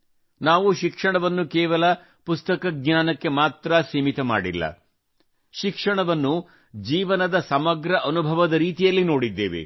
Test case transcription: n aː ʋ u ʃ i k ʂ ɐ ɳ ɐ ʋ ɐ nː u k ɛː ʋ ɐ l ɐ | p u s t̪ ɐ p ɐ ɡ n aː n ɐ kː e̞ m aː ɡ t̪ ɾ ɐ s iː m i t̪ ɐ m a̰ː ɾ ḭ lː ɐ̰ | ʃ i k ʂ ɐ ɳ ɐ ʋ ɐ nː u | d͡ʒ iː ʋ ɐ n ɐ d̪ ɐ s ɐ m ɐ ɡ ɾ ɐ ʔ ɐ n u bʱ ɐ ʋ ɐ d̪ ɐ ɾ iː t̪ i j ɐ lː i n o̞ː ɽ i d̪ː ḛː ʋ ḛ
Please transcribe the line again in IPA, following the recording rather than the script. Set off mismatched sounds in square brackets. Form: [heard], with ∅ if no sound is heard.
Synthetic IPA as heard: n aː ʋ u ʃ i k ʂ ɐ ɳ ɐ ʋ ɐ nː u k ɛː ʋ ɐ l ɐ | p u s t̪ ɐ [k] ɐ ɡ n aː n ɐ kː e̞ m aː [∅] t̪ ɾ ɐ s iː m i t̪ ɐ m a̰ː [ɽ] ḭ lː ɐ̰ | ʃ i k ʂ ɐ ɳ ɐ ʋ ɐ nː u | d͡ʒ iː ʋ ɐ n ɐ d̪ ɐ s ɐ m ɐ ɡ ɾ ɐ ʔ ɐ n u bʱ ɐ ʋ ɐ d̪ ɐ ɾ iː t̪ i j ɐ lː i n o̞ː ɽ i d̪ː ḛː ʋ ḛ